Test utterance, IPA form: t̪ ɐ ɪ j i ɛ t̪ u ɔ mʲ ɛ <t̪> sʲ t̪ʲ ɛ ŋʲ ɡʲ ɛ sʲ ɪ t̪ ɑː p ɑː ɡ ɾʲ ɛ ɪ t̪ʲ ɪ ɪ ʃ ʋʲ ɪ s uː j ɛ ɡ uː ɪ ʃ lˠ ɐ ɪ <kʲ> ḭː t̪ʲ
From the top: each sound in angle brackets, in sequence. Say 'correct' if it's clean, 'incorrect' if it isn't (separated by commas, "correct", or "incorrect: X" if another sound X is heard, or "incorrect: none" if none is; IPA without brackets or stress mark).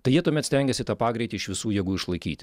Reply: correct, correct